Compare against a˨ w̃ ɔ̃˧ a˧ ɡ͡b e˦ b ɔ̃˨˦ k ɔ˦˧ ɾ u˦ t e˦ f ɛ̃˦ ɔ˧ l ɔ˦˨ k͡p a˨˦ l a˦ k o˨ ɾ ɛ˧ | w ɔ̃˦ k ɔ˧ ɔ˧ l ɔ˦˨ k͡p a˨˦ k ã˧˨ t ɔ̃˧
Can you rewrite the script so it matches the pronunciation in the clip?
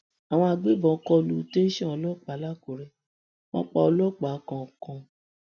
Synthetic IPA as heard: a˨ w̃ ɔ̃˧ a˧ ɡ͡b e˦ b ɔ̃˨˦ k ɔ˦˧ l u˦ t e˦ ʃ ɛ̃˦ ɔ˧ l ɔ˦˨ k͡p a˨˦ l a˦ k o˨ ɾ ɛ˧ | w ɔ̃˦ k͡p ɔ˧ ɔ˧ l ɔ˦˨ k͡p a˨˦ k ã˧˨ k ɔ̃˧